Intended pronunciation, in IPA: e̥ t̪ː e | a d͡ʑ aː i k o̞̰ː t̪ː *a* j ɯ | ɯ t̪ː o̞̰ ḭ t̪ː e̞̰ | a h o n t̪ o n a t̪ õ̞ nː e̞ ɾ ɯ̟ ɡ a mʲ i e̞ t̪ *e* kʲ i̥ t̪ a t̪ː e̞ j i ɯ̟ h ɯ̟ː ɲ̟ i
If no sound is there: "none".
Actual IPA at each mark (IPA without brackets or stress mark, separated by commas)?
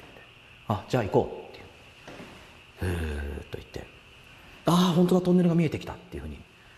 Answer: e, e